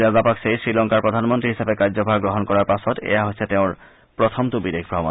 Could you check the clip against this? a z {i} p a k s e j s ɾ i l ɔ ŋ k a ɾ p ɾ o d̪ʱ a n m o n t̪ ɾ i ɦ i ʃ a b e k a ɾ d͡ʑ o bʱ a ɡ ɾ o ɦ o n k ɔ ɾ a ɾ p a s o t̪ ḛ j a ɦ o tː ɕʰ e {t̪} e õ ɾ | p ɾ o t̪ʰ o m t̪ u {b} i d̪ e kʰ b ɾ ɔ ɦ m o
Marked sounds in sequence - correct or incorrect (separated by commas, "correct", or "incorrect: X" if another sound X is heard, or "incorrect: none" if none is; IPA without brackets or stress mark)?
incorrect: a, correct, correct